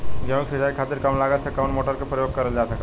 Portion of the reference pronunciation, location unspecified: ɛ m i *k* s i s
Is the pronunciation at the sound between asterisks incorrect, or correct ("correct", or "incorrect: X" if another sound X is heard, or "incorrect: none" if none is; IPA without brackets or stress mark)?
correct